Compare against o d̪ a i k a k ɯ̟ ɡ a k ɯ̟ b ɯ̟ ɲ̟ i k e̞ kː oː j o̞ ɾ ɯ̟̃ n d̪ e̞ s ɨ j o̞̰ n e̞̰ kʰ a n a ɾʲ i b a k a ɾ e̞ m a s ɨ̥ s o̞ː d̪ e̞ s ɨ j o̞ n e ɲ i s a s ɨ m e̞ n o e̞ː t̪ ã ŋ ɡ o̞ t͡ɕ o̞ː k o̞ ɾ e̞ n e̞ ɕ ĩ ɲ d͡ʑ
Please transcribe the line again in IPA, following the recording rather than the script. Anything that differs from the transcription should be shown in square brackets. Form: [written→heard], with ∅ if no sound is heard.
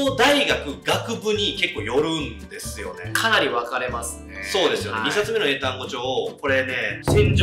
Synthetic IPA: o d̪ a i [k→ɡ] a k ɯ̟ ɡ a k ɯ̟ b ɯ̟ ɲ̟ i k e̞ kː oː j o̞ ɾ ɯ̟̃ n d̪ e̞ s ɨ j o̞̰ n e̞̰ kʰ a n a ɾʲ i [b→β] a k a ɾ e̞ m a s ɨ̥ s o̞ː d̪ e̞ s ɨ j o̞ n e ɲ i s a [s→t͡s] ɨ m e̞ n o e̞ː t̪ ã ŋ ɡ o̞ t͡ɕ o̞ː k o̞ ɾ e̞ n e̞ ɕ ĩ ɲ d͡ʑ